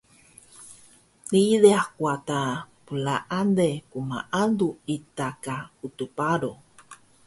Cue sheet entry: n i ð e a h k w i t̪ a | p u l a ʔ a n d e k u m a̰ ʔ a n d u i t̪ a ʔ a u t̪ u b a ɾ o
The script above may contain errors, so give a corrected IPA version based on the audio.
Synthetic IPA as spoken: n i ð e a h k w a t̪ a | p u l a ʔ a n d e k u m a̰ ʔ a n d u i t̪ a k a u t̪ u p a ɾ o

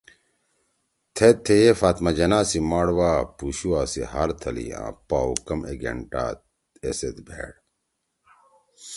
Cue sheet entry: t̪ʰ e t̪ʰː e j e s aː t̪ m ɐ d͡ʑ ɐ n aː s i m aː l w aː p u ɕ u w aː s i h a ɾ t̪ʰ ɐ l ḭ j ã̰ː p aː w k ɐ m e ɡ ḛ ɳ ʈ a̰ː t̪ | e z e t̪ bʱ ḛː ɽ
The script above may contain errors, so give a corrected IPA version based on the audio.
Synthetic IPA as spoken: t̪ʰ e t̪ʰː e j e f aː t̪ m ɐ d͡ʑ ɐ n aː s i m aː ɽ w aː p u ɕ u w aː s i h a ɾ t̪ʰ ɐ l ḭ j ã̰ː p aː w k ɐ m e ɡ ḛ ɳ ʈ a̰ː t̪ | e s e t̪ bʱ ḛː ɽ

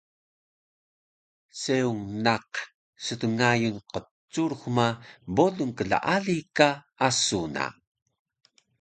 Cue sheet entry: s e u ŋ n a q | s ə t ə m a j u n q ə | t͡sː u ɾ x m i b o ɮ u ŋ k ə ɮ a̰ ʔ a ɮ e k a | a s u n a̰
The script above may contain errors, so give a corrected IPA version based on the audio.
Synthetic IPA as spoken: s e u ŋ n a q | s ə t ə ŋ a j u n q ə | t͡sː u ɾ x m a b o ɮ u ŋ k ə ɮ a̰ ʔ a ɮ i k a | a s u n a̰

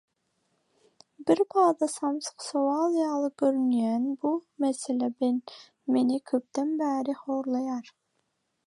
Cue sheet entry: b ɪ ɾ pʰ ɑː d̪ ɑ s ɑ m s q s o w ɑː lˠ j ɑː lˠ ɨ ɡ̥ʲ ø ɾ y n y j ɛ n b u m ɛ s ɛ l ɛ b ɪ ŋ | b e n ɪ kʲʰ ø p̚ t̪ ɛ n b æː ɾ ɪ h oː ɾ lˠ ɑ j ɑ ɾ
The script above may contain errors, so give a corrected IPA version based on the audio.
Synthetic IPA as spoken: b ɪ ɾ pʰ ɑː d̪ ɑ s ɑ m s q s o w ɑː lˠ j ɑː lˠ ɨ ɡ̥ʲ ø ɾ y n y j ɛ n b u m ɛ s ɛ l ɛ b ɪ n | m e n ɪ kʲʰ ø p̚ t̪ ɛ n b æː ɾ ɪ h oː ɾ lˠ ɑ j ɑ ɾ

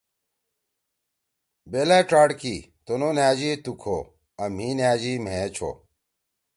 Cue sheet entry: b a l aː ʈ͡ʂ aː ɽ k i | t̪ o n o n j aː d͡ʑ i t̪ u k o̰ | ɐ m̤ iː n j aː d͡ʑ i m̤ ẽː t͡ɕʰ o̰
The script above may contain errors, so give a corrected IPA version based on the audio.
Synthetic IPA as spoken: b e l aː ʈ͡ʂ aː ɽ k i | t̪ o n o n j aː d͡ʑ i t̪ u kʰ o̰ | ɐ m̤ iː n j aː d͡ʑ i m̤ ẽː t͡ɕʰ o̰

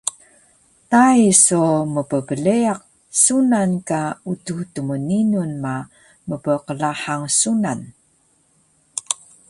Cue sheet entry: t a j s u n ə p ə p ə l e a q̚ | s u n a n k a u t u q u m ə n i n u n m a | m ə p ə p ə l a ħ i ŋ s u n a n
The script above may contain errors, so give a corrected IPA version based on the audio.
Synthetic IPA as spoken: t a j s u m ə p ə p ə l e a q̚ | s u n a n k a u t u t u m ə n i n u n m a | m ə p ə q ə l a ħ a ŋ s u n a n

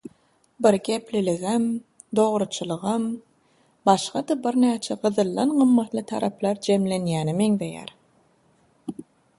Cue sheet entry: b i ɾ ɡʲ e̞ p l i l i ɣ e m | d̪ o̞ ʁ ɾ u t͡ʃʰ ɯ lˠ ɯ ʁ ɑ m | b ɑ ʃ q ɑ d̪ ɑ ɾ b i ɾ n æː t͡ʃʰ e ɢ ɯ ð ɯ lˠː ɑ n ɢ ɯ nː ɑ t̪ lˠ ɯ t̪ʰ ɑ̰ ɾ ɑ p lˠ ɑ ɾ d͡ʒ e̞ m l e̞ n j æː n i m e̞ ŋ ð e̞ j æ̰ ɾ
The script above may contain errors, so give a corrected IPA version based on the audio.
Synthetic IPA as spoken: b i ɾ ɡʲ e̞ p l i l i ɣ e m | d̪ o̞ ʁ ɾ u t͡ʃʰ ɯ lˠ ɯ ʁ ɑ m | b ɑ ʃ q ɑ d̪ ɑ b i ɾ n æː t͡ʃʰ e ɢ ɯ ð ɯ lˠː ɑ n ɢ ɯ mː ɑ t̪ lˠ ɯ t̪ʰ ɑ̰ ɾ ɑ p lˠ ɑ ɾ d͡ʒ e̞ m l e̞ n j æː n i m e̞ ŋ ð e̞ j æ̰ ɾ

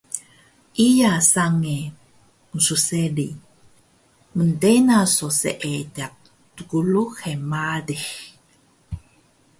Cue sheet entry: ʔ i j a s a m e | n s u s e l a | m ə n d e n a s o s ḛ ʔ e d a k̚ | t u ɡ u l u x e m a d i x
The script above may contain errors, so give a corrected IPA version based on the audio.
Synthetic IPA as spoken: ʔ i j a s a ŋ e | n s u s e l i | m ə n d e n a s o s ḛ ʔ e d a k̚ | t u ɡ u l u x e m a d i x

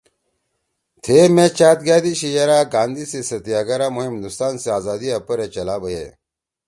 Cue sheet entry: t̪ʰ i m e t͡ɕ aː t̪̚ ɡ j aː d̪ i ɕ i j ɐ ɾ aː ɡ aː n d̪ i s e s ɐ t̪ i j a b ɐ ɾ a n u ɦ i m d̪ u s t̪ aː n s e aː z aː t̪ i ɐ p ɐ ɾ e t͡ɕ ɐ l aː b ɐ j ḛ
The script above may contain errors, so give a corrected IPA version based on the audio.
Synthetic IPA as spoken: t̪ʰ e m e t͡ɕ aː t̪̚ ɡ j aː d̪ i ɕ i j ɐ ɾ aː ɡ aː n d̪ i s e s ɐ t̪ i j a ɡ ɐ ɾ a m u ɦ i m d̪ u s t̪ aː n s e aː z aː d̪ i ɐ p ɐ ɾ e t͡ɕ ɐ l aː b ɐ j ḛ

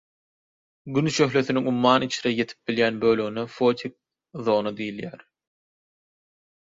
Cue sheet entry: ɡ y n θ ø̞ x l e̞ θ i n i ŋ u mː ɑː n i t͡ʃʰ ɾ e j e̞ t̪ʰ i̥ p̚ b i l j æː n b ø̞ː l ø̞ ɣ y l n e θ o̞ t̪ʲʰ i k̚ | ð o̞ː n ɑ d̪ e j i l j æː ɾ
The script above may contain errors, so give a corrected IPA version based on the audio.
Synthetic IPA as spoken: ɡ y n ʃ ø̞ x l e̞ θ i n i ŋ u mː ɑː n i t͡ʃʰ ɾ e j e̞ t̪ʰ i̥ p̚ b i l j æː n b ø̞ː l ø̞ ɣ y n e f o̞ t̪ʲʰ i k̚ | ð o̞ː n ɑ d̪ i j i l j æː ɾ

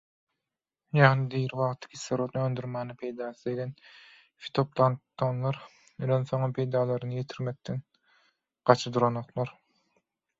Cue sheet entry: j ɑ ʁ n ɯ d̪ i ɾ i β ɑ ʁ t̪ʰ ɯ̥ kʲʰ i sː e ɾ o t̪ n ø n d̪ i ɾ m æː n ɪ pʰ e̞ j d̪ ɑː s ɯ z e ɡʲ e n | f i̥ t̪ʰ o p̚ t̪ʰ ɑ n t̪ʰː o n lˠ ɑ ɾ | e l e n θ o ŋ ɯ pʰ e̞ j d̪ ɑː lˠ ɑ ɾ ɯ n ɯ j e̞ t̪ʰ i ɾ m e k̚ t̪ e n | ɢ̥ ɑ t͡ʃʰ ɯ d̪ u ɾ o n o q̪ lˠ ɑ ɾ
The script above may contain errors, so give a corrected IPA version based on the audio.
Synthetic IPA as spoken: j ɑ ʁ n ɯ d̪ i ɾ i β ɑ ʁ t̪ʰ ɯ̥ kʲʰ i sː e ɾ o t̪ n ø n d̪ y ɾ m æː n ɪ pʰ e̞ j d̪ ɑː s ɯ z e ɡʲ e n | f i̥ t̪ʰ o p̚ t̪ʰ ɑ n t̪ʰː o n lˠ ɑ ɾ | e l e n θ o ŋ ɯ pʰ e̞ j d̪ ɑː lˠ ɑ ɾ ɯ n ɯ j e̞ t̪ʰ i ɾ m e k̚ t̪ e n | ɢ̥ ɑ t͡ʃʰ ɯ d̪ u ɾ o n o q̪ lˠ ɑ ɾ

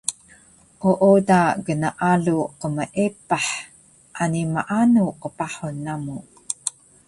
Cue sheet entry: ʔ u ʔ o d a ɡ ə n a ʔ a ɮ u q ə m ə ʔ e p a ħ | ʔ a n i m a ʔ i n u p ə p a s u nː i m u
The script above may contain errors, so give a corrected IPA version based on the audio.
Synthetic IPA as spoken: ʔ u ʔ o d a ɡ ə n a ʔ a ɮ u q ə m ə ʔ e p a ħ | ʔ a n i m a ʔ a n u q ə p a ħ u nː a m u

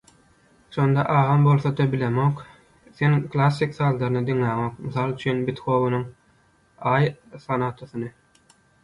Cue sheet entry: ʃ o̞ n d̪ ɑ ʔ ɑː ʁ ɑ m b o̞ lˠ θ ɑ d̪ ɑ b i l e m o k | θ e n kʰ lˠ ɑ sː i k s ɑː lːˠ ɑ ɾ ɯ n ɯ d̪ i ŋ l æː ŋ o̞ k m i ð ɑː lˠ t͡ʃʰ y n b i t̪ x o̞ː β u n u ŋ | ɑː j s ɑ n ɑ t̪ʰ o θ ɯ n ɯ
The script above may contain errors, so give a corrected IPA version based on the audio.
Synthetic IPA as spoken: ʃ o̞ n d̪ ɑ ʔ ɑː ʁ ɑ m b o̞ lˠ θ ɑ d̪ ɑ b i l e m o k | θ e n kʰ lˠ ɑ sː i k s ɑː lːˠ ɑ ɾ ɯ n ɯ d̪ i ŋ l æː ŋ o̞ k m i θ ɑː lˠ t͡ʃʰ y n b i t̪ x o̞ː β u n u ŋ | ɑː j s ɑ n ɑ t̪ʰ o θ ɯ n ɯ

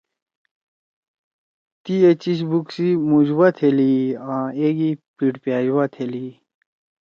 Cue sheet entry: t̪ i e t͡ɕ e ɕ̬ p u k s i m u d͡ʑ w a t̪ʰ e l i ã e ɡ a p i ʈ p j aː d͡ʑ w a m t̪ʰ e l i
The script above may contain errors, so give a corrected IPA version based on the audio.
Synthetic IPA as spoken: t̪ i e t͡ɕ i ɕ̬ b u k s i m u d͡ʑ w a t̪ʰ e l i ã e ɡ i p i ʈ p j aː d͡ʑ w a t̪ʰ e l i

